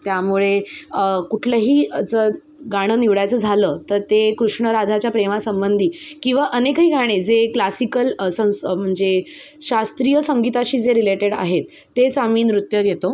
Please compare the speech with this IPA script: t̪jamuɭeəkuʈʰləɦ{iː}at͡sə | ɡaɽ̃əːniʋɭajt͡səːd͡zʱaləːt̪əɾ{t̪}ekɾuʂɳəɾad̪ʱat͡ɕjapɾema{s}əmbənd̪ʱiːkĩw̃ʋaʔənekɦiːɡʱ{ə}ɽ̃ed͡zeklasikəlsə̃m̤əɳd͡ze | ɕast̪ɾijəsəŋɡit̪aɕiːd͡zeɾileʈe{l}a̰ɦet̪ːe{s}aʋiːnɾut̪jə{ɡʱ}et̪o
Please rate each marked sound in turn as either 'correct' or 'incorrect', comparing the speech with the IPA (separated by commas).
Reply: correct, correct, correct, incorrect, incorrect, incorrect, correct